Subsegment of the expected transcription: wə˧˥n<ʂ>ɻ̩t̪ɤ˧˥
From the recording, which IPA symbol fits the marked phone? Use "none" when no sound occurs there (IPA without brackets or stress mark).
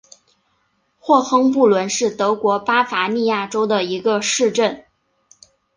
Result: ʂ